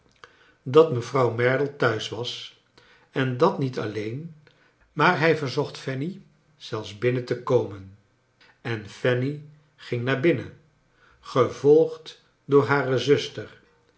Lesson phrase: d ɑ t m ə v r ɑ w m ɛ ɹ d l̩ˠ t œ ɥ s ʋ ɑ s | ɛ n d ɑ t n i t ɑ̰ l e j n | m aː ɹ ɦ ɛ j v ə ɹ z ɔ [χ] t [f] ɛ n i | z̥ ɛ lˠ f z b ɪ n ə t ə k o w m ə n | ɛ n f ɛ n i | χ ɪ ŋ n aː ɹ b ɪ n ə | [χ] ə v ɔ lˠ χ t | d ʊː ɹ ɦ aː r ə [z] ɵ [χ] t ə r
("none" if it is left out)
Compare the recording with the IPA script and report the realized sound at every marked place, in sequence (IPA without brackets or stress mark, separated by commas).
χ, f, χ, z, s